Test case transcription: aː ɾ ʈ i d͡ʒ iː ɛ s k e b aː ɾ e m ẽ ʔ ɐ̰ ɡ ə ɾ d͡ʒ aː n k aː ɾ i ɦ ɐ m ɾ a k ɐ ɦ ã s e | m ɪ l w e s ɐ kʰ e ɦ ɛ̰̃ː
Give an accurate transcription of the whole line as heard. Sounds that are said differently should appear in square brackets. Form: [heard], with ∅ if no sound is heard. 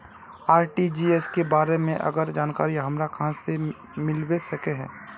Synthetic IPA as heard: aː ɾ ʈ i d͡ʒ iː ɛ s k e b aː ɾ e m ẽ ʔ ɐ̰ ɡ ə ɾ d͡ʒ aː n k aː ɾ i ɦ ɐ m ɾ a k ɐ ɦ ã s e | m ɪ l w e s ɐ [k] e ɦ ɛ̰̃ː